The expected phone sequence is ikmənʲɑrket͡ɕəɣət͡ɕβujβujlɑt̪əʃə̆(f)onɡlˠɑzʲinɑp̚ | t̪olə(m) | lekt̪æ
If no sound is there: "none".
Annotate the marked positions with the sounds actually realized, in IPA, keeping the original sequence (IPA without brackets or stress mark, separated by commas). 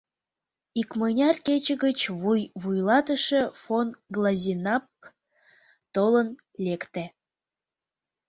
f, n